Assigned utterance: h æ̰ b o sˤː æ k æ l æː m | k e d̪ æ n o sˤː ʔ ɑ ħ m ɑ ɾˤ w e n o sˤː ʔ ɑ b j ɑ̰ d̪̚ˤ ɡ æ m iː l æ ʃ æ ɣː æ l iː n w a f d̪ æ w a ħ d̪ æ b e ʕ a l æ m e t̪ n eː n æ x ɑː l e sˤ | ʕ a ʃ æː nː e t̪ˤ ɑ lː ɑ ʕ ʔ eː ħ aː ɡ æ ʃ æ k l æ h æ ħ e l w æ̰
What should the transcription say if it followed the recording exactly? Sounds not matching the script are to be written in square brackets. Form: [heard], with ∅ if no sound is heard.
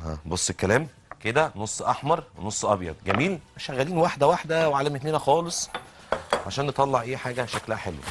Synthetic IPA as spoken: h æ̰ b o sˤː [e] k æ l æː m | k e d̪ æ n o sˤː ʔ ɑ ħ m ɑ ɾˤ w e n o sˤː ʔ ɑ b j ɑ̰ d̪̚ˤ ɡ æ m iː l æ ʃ æ ɣː æ l iː n w a [ħ] d̪ æ w a ħ d̪ æ [w] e ʕ a l æ m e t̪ n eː n æ x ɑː l e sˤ | ʕ a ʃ æː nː e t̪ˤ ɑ lː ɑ ʕ ʔ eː ħ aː ɡ æ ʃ æ k l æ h æ ħ e l w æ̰